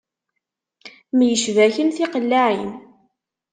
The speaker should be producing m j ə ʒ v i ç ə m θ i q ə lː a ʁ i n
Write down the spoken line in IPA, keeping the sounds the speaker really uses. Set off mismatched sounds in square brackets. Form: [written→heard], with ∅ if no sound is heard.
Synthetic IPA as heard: m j ə [ʒ→ʃ] v [i→æ] ç ə [m→n] θ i q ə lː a [ʁ→ʕ] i n